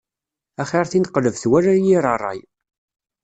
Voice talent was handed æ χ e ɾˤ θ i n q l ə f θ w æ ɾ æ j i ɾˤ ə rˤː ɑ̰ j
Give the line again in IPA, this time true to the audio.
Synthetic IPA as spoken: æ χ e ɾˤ θ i n q l ə v θ w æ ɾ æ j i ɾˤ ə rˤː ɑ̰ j